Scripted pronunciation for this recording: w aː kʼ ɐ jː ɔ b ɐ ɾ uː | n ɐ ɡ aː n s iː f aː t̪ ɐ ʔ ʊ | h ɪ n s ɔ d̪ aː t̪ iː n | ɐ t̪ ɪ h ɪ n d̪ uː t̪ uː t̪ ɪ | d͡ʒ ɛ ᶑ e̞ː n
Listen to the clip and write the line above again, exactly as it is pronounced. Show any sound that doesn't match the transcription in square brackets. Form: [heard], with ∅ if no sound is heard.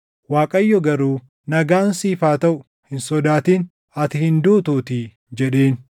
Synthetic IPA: w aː kʼ ɐ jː ɔ [ɡ] ɐ ɾ uː | n ɐ ɡ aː n s iː f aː t̪ ɐ ʔ ʊ | h ɪ n s ɔ d̪ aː t̪ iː n | ɐ t̪ ɪ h ɪ n d̪ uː t̪ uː t̪ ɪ | d͡ʒ ɛ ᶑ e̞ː n